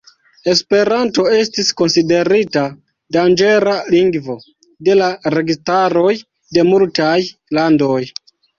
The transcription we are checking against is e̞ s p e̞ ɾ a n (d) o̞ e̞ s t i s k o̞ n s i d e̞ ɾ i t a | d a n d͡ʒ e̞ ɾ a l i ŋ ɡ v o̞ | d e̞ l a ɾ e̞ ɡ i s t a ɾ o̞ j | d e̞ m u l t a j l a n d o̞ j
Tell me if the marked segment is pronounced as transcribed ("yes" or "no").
no